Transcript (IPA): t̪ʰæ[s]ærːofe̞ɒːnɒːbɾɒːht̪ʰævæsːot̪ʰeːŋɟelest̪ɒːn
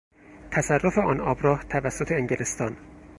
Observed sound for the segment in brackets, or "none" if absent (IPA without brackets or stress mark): s